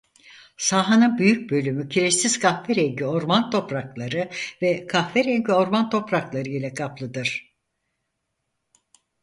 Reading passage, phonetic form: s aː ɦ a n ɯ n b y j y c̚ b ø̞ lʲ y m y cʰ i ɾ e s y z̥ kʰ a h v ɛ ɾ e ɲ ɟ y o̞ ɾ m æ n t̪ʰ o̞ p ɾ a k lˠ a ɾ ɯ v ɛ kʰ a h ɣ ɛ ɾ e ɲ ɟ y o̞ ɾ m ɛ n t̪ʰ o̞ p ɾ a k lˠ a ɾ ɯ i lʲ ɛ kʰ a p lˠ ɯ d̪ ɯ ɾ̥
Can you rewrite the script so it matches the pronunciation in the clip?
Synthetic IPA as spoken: s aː ɦ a n ɯ n b y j y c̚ b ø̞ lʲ y m y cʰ i ɾ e s i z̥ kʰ a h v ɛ ɾ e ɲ ɟ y o̞ ɾ m a n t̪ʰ o̞ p ɾ a k lˠ a ɾ ɯ v ɛ kʰ a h v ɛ ɾ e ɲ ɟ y o̞ ɾ m a n t̪ʰ o̞ p ɾ a k lˠ a ɾ ɯ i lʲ ɛ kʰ a p lˠ ɯ d̪ ɯ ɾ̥